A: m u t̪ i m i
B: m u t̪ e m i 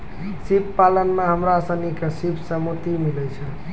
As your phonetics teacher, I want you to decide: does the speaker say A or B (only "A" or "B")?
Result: A